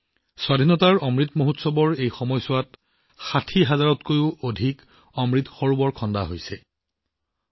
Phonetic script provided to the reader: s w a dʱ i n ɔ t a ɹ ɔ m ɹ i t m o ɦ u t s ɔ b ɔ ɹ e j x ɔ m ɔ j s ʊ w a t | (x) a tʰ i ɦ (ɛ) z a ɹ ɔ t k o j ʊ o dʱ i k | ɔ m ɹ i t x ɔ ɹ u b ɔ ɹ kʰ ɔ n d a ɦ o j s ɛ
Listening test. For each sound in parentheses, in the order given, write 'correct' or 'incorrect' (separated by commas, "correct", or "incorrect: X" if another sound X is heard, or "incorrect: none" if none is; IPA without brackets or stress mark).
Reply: correct, incorrect: a